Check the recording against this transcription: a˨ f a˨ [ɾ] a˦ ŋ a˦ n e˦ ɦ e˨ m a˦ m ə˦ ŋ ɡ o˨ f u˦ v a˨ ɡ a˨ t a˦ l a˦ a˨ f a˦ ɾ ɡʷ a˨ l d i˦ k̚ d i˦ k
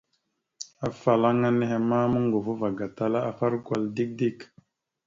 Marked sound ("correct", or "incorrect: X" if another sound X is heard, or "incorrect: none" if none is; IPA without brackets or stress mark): incorrect: l